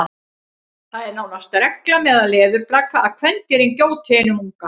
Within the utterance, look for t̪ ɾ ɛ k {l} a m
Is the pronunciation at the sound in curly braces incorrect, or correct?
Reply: correct